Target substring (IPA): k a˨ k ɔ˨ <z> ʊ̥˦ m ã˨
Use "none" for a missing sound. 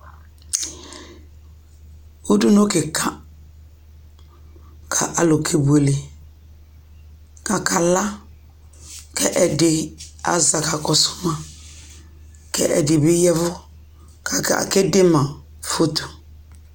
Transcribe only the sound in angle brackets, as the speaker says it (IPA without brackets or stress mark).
s